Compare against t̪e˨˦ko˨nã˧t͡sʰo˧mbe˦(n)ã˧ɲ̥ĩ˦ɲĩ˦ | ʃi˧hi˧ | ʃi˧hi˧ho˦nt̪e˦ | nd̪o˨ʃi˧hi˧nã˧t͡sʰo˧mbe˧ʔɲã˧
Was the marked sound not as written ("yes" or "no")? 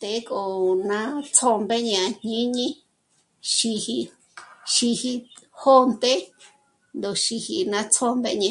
yes